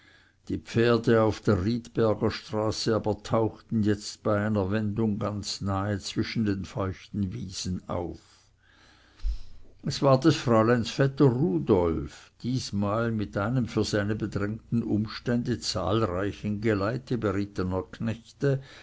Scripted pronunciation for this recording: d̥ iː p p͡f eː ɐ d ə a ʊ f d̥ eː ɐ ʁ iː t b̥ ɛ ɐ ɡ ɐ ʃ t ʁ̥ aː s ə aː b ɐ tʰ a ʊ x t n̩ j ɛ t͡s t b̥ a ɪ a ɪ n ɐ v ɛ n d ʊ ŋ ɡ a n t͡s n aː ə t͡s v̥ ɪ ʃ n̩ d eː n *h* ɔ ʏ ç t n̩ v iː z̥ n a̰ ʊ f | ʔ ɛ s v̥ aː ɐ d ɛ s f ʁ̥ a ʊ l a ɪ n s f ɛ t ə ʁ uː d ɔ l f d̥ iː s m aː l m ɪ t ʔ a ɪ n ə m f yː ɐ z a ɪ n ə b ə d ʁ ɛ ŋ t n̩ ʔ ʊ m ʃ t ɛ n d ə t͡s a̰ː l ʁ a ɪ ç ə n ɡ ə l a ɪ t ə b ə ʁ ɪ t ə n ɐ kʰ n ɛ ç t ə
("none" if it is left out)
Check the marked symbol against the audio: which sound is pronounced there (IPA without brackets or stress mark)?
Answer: f